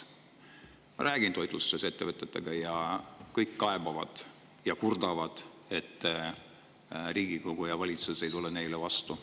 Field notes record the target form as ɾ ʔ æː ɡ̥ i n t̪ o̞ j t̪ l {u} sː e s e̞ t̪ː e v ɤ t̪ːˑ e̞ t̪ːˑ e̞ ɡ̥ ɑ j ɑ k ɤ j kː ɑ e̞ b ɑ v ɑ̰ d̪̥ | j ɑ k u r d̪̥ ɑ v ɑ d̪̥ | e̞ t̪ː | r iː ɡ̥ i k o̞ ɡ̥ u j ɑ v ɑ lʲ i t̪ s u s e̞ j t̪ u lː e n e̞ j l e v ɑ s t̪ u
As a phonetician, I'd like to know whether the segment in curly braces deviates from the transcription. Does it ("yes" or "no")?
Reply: no